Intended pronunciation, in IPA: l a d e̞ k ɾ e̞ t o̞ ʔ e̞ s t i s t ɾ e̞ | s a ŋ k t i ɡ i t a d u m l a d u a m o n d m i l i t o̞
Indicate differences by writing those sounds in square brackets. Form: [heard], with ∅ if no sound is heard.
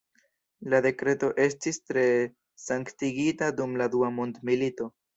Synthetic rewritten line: l a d e̞ k ɾ e̞ t o̞ ʔ e̞ s t i s t ɾ e̞ | s a ŋ k t i ɡ i t a d u m l a d u a m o n d m i l i t o̞